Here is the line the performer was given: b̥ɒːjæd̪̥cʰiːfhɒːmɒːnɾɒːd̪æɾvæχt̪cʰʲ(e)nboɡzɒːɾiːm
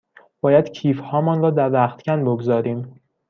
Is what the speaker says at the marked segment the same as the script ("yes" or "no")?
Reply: no